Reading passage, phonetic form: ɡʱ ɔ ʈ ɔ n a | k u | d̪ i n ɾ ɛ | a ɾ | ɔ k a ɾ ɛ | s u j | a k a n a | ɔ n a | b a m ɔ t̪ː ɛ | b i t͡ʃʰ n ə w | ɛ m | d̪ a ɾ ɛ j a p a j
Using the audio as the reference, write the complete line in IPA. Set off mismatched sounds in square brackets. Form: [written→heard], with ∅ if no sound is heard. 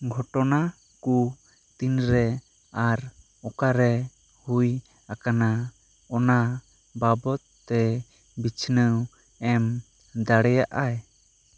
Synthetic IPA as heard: ɡʱ ɔ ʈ ɔ n a | k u | [d̪→t̪] i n ɾ ɛ | a ɾ | ɔ k a ɾ ɛ | [s→h] u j | a k a n a | ɔ n a | b a [m→b] ɔ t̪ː ɛ | b i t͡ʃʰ n ə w | ɛ m | d̪ a [ɾ→ɽ] ɛ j a [p→ʔ] a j